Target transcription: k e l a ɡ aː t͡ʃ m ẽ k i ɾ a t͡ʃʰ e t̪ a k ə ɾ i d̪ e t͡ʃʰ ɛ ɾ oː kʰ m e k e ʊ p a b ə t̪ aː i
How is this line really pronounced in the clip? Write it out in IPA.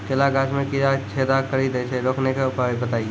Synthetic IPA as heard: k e l a ɡ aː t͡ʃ m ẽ k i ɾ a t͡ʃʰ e d̪ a k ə ɾ i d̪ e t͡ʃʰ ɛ ɾ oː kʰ n e k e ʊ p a b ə t̪ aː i